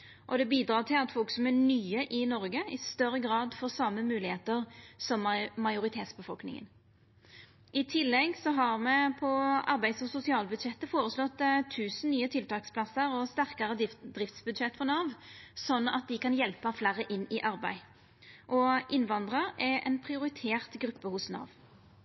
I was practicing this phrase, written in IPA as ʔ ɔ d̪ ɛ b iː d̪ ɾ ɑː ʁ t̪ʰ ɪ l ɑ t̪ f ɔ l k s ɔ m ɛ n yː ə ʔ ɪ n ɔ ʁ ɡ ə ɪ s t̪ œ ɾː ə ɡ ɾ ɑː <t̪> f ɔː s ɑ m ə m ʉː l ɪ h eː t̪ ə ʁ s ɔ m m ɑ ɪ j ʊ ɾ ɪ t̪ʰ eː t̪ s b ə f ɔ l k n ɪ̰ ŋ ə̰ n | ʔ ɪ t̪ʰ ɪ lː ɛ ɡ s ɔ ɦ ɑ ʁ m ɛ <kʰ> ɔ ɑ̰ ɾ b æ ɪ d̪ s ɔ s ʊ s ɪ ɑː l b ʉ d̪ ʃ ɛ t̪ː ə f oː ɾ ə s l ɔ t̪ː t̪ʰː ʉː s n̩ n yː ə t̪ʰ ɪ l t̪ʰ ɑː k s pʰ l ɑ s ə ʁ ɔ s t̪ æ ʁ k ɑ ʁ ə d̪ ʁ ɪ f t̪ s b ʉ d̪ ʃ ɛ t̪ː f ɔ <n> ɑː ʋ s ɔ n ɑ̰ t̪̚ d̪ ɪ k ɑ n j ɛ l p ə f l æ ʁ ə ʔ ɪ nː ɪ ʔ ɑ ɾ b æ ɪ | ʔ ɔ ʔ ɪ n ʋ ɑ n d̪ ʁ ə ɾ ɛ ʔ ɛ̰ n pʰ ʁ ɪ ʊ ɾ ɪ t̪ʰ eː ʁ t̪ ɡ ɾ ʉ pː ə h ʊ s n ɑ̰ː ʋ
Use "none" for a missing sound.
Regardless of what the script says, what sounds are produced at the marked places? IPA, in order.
d̪, pʰ, n

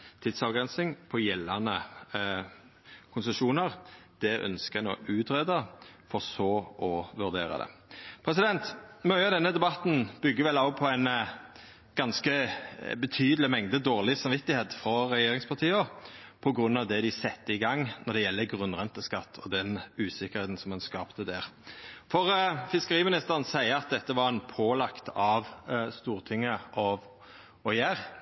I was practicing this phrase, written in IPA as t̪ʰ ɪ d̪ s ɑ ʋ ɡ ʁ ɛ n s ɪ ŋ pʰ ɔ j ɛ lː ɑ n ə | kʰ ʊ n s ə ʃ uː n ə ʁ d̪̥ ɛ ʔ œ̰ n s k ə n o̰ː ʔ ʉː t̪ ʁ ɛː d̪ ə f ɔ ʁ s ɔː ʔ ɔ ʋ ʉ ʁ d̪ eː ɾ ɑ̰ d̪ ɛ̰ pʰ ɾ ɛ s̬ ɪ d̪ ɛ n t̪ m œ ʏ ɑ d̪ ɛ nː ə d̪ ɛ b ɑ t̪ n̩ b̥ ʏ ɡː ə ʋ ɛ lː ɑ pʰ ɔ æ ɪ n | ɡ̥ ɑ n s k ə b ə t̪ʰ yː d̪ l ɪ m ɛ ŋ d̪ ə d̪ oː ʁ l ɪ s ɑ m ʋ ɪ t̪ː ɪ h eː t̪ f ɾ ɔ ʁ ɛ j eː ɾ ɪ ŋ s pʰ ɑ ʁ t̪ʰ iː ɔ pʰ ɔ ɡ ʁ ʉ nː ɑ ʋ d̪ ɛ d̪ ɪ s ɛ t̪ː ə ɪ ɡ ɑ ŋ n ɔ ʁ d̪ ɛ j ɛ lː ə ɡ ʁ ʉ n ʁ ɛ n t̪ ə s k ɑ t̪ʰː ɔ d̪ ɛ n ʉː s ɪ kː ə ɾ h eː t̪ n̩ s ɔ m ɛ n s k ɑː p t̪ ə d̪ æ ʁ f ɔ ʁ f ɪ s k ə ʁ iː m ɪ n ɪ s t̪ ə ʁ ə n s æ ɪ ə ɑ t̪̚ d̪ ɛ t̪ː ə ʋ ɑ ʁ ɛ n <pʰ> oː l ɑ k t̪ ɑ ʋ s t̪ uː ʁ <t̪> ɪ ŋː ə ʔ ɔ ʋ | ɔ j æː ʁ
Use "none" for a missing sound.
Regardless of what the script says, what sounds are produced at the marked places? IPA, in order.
pʰ, t̪ʰ

